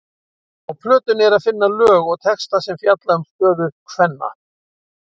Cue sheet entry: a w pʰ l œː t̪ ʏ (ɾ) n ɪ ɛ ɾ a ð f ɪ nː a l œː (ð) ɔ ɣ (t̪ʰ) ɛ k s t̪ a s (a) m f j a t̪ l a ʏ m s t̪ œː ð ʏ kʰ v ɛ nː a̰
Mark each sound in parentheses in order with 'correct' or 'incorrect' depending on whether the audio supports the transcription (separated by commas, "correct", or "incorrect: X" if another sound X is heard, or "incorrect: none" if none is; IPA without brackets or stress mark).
incorrect: none, incorrect: ɣ, correct, incorrect: ɛ